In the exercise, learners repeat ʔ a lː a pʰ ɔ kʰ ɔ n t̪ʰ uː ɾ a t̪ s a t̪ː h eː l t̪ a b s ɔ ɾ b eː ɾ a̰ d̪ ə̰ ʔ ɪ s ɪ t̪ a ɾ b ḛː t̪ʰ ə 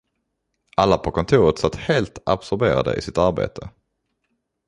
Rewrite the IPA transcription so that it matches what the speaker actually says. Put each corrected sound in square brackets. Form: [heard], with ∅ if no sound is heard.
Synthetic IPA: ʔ a lː a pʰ ɔ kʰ ɔ n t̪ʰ uː ɾ [ə] t̪ s a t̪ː h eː l t̪ a b s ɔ ɾ b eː ɾ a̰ d̪ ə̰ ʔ ɪ s ɪ t̪ a ɾ b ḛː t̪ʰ ə